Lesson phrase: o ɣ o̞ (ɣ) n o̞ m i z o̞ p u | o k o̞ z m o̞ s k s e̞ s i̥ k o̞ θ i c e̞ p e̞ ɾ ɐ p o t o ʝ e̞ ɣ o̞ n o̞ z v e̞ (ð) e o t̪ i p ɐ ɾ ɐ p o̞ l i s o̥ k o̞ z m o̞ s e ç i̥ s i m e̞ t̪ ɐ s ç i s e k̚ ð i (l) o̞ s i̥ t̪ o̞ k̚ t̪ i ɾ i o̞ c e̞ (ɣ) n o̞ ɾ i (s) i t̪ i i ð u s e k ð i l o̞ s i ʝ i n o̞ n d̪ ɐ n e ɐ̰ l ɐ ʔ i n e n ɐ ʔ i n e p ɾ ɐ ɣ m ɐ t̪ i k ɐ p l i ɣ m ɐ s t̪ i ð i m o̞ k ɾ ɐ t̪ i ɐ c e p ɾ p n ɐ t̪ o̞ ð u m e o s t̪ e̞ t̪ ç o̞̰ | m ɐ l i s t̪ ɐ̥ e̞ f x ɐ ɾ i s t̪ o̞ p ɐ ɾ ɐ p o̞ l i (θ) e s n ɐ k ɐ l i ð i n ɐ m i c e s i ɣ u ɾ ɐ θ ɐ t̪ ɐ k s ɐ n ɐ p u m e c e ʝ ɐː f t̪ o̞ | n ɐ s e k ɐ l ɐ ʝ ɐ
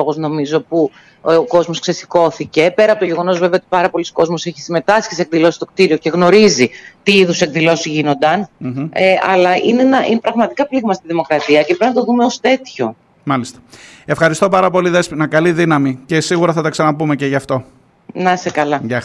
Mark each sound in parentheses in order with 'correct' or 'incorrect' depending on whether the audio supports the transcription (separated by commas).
incorrect, incorrect, correct, correct, incorrect, incorrect